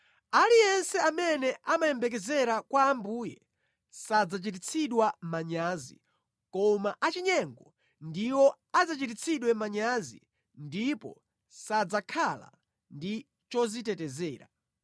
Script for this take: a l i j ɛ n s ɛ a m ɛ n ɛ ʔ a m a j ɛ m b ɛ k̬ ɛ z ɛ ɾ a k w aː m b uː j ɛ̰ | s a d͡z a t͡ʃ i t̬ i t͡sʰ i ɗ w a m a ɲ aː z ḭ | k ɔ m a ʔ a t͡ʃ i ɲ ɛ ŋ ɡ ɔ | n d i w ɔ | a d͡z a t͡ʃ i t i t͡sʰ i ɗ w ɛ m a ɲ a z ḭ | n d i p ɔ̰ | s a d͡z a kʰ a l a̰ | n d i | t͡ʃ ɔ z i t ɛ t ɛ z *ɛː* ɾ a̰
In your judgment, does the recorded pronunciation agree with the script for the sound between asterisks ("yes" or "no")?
yes